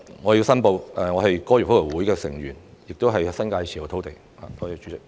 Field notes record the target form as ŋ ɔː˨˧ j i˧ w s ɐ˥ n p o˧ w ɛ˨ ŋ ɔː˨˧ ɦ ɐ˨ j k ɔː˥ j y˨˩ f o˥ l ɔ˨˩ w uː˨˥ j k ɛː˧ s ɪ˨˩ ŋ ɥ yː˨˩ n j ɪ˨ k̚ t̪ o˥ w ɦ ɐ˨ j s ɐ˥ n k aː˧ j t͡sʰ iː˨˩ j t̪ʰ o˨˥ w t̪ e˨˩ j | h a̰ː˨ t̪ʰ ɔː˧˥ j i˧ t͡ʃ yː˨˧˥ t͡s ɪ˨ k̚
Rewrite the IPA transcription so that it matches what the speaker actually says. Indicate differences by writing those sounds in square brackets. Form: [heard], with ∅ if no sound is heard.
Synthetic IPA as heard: ŋ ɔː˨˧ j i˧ w s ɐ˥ n p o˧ w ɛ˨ ŋ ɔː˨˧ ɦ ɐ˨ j k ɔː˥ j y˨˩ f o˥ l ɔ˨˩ w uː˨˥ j k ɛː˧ s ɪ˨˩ ŋ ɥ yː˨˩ n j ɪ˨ k̚ t̪ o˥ w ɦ ɐ˨ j s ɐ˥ n k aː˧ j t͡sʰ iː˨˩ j t̪ʰ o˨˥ w t̪ e˨˩ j | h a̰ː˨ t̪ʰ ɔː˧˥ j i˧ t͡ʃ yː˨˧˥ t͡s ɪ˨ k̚

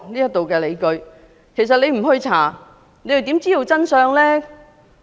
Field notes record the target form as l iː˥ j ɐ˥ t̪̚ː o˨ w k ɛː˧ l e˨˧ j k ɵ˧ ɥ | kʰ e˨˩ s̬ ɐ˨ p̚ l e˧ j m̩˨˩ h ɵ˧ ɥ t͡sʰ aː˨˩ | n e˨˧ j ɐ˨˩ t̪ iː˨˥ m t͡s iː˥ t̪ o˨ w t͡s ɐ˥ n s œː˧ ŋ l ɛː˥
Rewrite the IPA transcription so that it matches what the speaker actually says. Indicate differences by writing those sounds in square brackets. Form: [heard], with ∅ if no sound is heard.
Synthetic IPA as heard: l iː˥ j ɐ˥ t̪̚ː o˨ w k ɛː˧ l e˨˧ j k ɵ˧ ɥ | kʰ e˨˩ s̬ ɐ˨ [t̚] l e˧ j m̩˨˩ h ɵ˧ ɥ t͡sʰ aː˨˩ | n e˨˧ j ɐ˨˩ t̪ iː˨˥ m t͡s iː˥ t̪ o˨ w t͡s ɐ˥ n s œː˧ ŋ l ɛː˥

